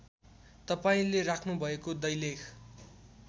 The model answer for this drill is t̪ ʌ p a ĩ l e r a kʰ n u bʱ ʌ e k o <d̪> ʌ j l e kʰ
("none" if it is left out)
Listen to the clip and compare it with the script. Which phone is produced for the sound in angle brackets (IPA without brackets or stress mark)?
d̪